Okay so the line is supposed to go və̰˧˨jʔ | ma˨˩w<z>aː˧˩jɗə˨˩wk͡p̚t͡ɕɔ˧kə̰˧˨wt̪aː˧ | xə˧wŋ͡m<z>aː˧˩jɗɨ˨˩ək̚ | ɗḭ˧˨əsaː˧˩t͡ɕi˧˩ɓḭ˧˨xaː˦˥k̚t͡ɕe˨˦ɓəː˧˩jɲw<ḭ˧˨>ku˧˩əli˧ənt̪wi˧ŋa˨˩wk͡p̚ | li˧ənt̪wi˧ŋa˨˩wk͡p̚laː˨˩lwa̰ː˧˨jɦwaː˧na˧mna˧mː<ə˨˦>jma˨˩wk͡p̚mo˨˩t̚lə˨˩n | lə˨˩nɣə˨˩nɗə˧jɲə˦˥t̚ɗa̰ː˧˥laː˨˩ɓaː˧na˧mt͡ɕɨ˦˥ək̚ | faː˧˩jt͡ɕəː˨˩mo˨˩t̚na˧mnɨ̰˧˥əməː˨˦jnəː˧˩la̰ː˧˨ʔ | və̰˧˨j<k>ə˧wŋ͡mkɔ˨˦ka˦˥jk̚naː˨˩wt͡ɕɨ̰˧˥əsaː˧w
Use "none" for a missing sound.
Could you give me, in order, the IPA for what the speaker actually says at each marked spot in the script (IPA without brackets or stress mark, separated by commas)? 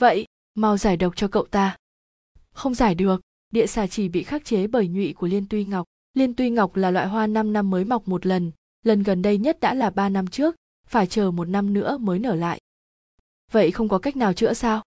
z, z, ḭ˧˨, əː˨˦, x